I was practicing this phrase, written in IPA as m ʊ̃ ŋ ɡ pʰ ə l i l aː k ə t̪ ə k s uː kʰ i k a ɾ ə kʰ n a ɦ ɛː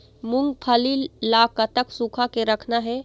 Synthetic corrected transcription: m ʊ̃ ŋ ɡ pʰ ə l i l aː k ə t̪ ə k s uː kʰ a k e ɾ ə kʰ n a ɦ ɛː